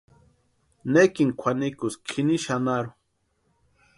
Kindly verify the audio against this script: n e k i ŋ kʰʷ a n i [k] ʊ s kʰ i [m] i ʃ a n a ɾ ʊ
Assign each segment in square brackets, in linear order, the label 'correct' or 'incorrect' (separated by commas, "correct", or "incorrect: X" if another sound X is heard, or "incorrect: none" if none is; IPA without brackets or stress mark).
correct, incorrect: n